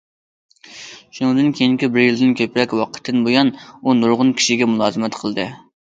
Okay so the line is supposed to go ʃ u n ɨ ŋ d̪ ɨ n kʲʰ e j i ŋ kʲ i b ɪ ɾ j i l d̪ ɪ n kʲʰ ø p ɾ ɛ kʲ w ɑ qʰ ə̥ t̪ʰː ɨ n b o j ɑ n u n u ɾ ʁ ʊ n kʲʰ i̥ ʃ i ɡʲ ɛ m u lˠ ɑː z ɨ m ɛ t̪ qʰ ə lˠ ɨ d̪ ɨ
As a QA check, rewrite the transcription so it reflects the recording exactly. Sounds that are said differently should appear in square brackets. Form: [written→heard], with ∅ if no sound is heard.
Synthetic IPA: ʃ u n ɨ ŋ d̪ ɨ n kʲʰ e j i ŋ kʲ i b ɪ ɾ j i l d̪ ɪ n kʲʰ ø p ɾ ɛ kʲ w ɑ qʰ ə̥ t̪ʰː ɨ n b o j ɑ n u n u ɾ ʁ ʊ n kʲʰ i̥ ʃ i ɡʲ ɛ m u lˠ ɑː z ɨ m ɛ t̪ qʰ ə lˠ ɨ d̪ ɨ